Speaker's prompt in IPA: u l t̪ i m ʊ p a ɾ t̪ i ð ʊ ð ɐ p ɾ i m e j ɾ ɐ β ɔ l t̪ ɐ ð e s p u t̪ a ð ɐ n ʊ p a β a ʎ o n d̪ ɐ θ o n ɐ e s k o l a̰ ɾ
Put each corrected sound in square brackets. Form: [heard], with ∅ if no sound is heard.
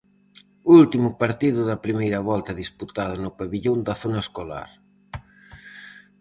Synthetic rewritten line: u l t̪ i m ʊ p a ɾ t̪ i ð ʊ ð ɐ p ɾ i m e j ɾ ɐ β ɔ l t̪ ɐ ð [i] s p u t̪ a ð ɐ n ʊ p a β [i] ʎ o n d̪ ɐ θ o n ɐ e s k o l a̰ ɾ